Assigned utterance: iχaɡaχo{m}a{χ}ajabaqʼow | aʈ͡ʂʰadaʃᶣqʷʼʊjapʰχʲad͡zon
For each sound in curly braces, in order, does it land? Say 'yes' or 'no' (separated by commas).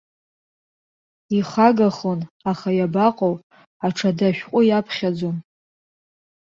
no, yes